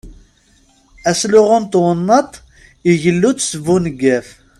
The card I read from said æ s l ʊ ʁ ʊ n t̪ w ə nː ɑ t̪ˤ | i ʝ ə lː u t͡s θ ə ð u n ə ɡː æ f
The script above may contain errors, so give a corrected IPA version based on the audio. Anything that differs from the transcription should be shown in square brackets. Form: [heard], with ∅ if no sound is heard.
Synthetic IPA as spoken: æ s l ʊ ʁ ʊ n t̪ w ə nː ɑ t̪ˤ | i ʝ ə lː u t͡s [s] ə [v] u n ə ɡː æ f